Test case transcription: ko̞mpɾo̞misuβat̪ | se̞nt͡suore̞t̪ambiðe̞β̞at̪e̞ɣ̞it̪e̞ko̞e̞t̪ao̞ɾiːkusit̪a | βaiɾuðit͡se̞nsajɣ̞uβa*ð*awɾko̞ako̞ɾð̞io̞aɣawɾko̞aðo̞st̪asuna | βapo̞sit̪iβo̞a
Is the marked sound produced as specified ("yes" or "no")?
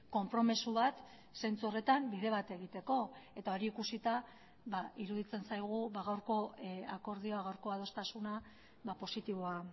no